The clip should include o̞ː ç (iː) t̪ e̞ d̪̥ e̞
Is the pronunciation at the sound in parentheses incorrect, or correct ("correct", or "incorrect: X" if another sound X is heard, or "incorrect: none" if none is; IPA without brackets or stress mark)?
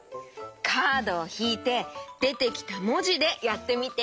correct